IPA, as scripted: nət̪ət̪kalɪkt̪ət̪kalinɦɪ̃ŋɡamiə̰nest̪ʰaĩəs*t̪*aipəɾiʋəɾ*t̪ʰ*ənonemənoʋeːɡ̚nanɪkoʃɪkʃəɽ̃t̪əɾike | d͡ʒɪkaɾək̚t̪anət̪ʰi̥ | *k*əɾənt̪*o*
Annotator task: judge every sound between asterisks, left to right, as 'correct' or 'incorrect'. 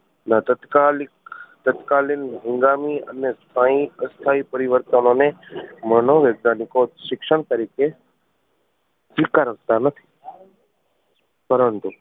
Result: incorrect, incorrect, incorrect, incorrect

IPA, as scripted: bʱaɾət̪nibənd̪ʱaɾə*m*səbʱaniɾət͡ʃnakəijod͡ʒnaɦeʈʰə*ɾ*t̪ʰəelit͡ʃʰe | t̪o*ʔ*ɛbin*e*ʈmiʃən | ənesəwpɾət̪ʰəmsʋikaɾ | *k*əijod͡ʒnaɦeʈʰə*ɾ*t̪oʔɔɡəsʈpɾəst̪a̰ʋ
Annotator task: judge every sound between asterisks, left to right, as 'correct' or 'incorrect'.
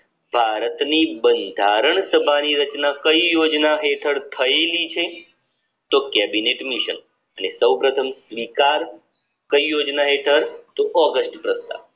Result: incorrect, correct, incorrect, correct, correct, correct

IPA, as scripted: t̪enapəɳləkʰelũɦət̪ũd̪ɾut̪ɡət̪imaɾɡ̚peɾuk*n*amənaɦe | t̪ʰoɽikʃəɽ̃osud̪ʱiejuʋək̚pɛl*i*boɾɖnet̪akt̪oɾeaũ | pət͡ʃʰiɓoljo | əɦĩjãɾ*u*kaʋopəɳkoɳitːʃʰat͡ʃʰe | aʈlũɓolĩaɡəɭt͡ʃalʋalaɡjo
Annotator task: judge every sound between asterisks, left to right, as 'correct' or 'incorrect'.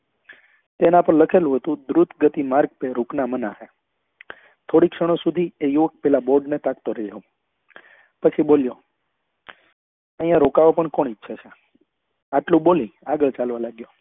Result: correct, incorrect, incorrect

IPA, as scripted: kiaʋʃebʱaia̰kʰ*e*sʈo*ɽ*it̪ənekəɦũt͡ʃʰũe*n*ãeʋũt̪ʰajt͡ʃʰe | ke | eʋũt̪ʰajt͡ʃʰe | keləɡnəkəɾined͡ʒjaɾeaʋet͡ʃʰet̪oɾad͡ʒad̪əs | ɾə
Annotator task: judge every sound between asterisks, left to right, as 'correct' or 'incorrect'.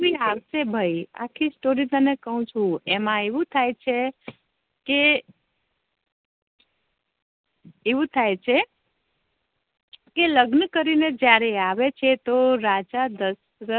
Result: incorrect, incorrect, incorrect

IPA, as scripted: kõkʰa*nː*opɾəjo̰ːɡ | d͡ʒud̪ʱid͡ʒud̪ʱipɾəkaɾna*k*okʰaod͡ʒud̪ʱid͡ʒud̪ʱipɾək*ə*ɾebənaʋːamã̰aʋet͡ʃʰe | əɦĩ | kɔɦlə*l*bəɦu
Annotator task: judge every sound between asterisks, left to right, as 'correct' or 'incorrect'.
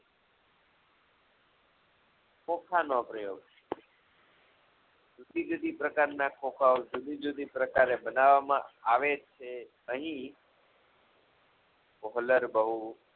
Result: incorrect, correct, incorrect, incorrect

